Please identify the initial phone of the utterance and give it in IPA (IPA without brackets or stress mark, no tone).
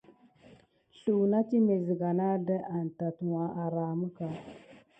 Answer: ɬ